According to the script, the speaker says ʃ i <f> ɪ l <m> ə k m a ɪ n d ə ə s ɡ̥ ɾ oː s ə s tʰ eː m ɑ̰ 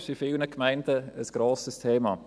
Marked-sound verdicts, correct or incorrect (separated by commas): correct, incorrect